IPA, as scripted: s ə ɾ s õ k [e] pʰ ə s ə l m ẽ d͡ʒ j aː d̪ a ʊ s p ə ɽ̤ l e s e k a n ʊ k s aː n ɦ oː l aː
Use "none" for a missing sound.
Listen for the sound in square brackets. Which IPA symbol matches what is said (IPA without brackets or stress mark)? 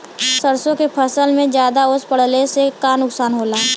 e